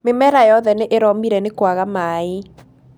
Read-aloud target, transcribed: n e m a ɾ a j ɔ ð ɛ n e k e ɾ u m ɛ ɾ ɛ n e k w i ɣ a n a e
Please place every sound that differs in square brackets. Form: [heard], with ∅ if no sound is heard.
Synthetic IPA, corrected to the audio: [m] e m [ɛ] ɾ a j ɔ ð ɛ n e [ʔ] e ɾ [ɔ] m [i] ɾ ɛ n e k w [a] ɣ a [m] a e